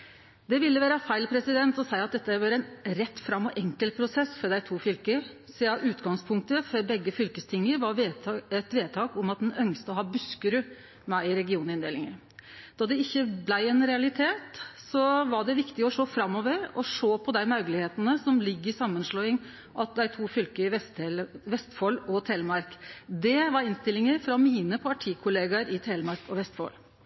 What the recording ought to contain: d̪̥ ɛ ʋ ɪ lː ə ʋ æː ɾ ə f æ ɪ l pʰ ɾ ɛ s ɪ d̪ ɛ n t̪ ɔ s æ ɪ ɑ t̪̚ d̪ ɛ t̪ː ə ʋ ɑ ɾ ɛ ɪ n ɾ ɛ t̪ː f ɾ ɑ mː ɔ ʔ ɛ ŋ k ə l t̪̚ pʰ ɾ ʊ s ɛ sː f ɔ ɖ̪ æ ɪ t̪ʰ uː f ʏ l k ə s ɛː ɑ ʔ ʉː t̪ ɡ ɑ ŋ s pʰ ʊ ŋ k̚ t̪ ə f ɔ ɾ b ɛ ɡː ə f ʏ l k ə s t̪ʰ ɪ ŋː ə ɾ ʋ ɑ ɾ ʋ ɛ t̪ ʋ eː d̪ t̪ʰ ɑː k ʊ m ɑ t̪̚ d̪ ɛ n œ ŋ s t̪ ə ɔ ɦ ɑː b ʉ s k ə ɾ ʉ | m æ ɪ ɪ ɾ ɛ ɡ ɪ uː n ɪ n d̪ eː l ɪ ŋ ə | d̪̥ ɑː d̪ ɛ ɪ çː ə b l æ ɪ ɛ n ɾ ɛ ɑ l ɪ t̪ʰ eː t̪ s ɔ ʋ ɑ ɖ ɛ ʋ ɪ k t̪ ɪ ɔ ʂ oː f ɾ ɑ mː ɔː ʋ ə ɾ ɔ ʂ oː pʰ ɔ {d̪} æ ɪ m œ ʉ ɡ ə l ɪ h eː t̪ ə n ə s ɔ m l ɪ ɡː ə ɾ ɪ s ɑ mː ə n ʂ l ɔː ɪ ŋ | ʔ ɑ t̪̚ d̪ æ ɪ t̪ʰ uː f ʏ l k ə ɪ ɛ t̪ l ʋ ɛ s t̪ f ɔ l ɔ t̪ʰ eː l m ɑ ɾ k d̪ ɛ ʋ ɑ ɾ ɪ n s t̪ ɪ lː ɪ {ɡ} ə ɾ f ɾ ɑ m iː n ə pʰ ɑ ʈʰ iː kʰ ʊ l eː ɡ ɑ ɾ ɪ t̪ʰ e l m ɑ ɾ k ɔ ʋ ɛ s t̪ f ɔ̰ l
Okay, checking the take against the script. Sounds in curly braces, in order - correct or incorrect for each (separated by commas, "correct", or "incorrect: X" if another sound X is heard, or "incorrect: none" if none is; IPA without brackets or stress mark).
correct, incorrect: ŋ